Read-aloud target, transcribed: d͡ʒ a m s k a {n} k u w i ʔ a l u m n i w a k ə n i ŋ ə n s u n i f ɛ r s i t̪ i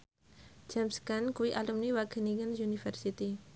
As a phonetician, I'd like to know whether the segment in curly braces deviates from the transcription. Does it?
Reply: no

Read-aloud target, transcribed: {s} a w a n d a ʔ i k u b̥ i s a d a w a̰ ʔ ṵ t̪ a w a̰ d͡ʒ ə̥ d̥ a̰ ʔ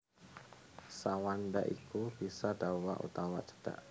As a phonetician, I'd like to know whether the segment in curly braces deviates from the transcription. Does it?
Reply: no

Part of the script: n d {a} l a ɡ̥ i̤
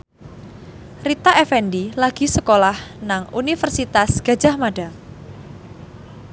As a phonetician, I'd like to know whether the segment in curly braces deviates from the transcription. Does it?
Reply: yes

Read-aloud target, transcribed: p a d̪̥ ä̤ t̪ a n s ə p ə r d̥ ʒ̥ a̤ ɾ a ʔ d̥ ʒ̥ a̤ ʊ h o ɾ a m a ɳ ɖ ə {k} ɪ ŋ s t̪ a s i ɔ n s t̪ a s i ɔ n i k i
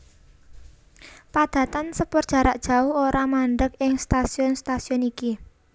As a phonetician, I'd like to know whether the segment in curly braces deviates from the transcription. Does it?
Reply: no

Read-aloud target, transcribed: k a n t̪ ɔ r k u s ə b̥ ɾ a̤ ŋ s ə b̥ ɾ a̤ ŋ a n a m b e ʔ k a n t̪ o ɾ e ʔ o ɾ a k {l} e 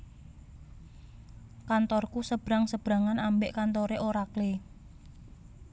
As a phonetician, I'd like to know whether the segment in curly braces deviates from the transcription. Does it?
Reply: no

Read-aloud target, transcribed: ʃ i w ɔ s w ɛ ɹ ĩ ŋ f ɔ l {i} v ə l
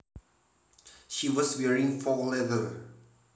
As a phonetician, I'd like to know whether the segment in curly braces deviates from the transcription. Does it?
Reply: yes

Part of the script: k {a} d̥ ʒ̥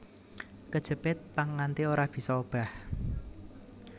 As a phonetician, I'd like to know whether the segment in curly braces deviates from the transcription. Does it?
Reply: yes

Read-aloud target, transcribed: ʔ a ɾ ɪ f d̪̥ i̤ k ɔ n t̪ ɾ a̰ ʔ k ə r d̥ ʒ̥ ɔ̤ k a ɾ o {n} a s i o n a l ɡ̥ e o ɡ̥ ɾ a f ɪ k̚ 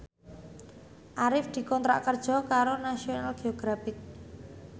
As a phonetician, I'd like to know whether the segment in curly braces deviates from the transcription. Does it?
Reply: no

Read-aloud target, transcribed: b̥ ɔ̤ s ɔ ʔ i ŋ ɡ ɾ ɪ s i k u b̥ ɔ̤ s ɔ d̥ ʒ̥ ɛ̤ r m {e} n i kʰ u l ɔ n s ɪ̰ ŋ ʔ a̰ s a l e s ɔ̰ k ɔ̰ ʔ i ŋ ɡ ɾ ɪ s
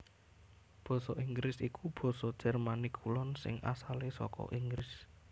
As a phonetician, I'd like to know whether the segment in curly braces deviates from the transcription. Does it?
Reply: yes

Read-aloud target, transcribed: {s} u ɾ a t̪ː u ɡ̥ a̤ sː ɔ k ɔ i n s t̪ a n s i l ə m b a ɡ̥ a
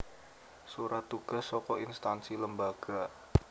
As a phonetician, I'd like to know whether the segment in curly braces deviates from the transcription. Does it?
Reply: no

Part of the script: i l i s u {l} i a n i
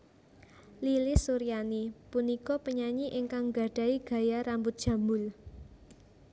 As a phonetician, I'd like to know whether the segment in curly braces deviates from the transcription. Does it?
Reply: yes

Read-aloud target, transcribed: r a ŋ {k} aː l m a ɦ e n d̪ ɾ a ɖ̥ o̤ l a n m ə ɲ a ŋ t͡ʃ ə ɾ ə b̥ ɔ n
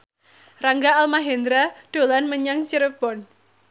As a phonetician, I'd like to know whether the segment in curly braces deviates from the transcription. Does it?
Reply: yes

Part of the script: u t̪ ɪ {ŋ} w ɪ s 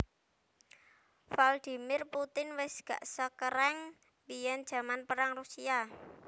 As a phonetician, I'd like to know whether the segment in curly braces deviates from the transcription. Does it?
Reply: yes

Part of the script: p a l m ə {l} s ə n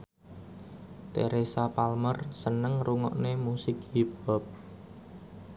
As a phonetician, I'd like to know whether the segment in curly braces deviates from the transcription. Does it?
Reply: yes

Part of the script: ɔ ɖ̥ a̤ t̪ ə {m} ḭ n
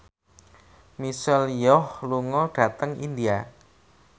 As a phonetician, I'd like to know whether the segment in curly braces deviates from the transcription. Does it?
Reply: yes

